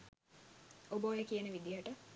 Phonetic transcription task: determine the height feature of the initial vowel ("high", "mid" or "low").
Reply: mid